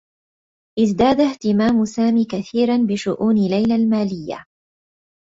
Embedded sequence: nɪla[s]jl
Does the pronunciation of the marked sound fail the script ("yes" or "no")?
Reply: yes